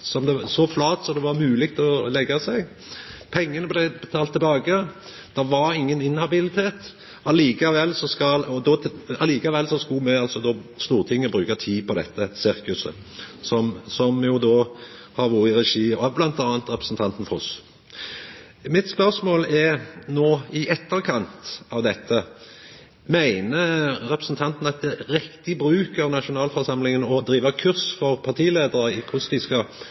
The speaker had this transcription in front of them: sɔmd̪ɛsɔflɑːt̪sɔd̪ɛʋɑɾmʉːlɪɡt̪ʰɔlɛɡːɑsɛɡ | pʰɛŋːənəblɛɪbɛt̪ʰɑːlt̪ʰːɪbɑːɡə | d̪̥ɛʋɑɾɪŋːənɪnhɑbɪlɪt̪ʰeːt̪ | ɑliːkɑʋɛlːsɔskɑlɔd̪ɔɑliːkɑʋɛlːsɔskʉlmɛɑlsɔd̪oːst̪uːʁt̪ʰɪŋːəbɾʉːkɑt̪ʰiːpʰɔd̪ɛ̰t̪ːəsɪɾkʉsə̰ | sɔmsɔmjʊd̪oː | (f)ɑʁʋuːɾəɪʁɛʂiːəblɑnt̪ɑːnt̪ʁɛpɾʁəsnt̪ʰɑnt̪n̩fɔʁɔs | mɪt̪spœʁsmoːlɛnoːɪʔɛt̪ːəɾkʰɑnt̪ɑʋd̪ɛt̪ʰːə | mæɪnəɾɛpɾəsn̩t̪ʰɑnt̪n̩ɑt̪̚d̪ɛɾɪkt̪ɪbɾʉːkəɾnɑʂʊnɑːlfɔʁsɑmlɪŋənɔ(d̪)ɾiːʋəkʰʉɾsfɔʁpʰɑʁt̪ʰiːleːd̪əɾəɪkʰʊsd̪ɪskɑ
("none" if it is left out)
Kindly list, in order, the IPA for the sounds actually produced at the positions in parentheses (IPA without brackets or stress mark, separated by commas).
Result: h, d̪